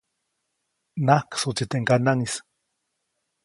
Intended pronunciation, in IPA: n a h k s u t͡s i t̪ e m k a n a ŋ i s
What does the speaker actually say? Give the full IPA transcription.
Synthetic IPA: n a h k s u t͡s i t̪ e ŋ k a n a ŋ i s